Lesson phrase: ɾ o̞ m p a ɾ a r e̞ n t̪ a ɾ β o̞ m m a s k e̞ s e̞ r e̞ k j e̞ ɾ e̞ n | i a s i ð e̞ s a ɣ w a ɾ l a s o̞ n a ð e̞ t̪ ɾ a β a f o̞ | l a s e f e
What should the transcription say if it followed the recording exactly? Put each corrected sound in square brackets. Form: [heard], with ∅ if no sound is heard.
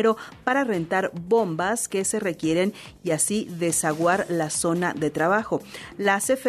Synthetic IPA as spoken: ɾ o̞ [∅] p a ɾ a r e̞ n t̪ a ɾ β o̞ m [b] a s k e̞ s e̞ r e̞ k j e̞ ɾ e̞ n | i a s i ð e̞ s a ɣ w a ɾ l a s o̞ n a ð e̞ t̪ ɾ a β a [x] o̞ | l a s e f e